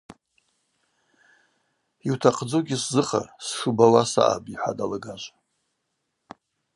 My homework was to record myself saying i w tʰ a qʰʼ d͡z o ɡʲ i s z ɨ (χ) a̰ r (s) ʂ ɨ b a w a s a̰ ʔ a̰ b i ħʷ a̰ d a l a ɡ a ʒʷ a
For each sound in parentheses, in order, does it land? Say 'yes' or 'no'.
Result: yes, yes

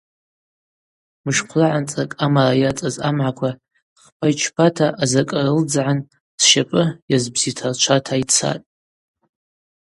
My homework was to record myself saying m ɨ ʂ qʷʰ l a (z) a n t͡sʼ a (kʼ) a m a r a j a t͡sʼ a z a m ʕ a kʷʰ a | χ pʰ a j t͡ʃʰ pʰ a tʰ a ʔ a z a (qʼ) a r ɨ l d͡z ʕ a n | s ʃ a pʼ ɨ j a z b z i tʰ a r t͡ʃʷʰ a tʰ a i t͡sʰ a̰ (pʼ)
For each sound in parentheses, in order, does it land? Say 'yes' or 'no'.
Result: no, yes, no, no

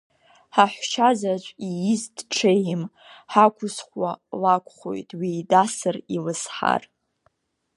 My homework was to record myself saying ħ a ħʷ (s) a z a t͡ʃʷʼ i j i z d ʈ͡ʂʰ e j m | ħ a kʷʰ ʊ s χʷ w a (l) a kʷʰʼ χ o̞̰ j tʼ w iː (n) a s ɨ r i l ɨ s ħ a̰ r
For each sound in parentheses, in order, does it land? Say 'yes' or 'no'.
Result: no, yes, no

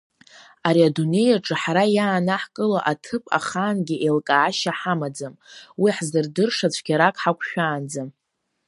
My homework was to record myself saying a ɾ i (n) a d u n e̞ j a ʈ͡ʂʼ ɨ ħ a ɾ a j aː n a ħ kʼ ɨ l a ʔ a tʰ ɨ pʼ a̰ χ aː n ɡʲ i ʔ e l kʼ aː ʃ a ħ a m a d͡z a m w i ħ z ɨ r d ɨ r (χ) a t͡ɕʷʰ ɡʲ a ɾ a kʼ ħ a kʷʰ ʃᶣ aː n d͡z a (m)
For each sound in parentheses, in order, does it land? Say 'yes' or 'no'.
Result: no, no, yes

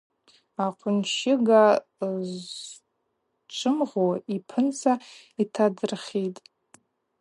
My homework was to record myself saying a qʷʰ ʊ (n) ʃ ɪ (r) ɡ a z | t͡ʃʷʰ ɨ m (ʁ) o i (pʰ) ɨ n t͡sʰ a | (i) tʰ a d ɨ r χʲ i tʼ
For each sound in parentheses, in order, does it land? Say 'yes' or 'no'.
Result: yes, no, yes, yes, yes

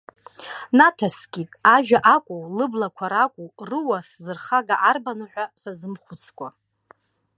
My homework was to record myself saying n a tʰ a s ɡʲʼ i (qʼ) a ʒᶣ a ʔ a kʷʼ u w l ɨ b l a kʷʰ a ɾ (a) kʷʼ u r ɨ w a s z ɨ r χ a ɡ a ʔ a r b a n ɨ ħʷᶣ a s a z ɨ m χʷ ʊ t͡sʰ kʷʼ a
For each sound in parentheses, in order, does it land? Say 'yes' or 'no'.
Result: no, yes

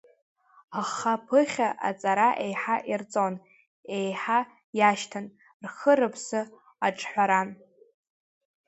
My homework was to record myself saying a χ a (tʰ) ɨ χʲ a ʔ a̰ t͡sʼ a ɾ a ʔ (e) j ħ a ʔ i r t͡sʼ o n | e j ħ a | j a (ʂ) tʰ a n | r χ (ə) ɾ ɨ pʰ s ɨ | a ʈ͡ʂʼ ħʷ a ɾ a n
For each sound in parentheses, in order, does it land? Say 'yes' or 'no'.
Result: no, yes, no, yes

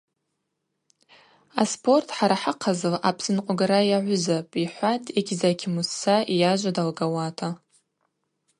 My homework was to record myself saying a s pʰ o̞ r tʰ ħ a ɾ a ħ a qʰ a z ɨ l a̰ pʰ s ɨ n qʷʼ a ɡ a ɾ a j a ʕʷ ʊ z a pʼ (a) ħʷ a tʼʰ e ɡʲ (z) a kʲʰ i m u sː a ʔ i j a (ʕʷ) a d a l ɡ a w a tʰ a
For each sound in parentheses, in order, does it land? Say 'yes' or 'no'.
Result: no, yes, no

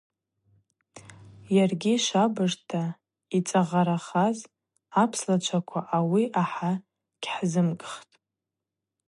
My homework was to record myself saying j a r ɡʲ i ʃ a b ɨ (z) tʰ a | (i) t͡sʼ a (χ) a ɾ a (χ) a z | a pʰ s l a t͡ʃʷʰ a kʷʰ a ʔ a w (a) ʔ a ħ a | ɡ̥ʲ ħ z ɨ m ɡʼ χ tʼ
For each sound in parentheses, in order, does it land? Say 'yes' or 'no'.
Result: no, yes, no, yes, no

